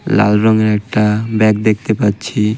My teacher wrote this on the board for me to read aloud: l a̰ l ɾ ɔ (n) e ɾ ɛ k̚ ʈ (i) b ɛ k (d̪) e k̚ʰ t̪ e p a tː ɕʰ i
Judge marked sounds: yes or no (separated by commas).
no, no, yes